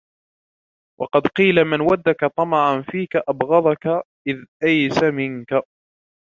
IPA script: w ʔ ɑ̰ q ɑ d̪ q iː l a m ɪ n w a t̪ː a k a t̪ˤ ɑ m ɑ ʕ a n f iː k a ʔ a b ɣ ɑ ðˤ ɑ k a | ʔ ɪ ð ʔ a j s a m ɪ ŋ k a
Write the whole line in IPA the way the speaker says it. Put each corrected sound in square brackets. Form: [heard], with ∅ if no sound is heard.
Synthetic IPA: w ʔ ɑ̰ q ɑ d̪ q iː l a m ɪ n w a [d̪ː] a k a t̪ˤ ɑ m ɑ ʕ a n f iː k a ʔ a b ɣ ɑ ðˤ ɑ k a | ʔ ɪ ð ʔ a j s a m ɪ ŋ k a